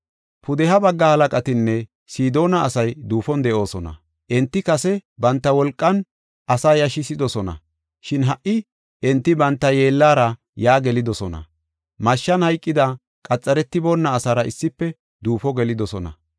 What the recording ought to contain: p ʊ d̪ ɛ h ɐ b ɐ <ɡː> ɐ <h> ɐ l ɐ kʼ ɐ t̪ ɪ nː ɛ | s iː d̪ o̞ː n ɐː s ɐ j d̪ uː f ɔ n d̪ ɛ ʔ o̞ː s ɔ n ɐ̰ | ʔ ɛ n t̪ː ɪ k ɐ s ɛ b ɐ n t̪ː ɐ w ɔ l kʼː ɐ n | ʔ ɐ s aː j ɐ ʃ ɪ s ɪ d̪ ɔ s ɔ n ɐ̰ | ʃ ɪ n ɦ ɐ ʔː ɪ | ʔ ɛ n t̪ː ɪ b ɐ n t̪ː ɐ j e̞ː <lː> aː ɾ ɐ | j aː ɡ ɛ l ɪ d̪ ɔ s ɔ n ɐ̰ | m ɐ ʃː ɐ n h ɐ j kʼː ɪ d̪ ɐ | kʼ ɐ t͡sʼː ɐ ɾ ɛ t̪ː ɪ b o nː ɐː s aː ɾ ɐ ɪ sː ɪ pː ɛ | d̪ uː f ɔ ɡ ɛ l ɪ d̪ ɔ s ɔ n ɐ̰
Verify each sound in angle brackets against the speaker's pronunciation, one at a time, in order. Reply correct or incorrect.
correct, correct, correct

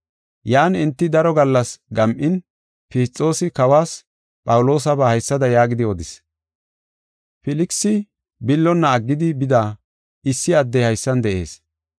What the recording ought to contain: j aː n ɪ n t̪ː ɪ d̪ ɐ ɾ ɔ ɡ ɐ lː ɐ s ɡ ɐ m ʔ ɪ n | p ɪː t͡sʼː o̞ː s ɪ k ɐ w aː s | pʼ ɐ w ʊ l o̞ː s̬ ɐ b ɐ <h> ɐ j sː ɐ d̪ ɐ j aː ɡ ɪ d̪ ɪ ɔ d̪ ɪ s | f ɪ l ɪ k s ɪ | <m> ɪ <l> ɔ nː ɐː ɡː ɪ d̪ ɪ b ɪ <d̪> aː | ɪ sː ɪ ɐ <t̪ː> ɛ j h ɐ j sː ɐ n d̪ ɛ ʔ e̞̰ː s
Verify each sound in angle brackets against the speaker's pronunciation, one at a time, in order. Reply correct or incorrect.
correct, incorrect: b, incorrect: lː, correct, incorrect: d̪ː

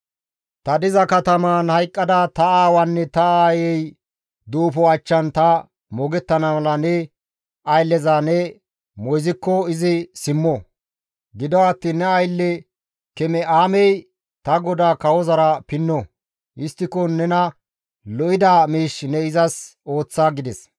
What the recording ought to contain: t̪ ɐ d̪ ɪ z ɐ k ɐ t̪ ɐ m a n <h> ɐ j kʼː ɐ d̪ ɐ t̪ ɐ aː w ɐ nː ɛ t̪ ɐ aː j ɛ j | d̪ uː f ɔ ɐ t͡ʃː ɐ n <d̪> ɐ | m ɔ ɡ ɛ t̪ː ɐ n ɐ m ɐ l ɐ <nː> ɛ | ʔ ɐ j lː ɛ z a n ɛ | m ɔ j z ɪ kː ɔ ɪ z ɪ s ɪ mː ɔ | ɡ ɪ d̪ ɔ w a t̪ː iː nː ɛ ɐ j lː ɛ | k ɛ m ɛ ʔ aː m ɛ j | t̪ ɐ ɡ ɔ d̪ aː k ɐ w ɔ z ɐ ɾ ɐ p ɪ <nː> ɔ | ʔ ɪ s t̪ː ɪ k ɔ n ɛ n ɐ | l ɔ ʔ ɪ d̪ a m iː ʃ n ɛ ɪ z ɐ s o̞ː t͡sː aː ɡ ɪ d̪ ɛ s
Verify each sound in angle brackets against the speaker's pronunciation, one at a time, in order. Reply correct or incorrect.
correct, incorrect: t̪, incorrect: n, correct

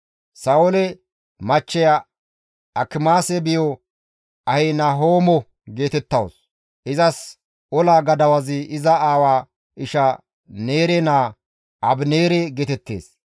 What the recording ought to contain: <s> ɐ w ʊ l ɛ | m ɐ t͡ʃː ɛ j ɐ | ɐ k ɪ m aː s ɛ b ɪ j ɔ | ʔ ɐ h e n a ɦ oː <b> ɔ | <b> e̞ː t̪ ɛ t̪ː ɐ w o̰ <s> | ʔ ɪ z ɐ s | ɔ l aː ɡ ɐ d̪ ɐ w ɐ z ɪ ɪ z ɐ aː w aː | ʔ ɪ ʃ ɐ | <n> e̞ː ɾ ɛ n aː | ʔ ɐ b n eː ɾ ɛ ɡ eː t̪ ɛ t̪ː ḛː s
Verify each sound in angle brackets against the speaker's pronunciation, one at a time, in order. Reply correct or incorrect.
correct, incorrect: m, incorrect: ɡ, correct, correct

